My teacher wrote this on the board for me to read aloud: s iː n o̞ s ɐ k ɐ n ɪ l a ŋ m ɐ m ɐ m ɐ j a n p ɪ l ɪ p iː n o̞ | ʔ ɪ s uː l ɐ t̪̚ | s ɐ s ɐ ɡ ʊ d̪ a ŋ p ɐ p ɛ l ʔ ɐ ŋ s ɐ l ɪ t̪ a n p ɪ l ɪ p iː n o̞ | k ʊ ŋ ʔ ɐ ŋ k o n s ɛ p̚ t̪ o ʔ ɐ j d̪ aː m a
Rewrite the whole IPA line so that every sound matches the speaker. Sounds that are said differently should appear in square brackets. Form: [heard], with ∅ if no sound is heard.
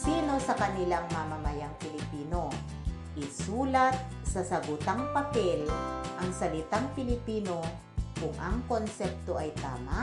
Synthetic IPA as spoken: s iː n o̞ s ɐ k ɐ n ɪ l a ŋ m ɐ m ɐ m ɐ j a [ŋ] p ɪ l ɪ p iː n o̞ | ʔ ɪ s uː l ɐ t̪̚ | s ɐ s ɐ ɡ ʊ [t̪] a ŋ p ɐ p ɛ l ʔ ɐ ŋ s ɐ l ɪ t̪ a [ŋ] p ɪ l ɪ p iː n o̞ | k ʊ ŋ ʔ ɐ ŋ k o n s ɛ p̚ t̪ o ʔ ɐ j [t̪] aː m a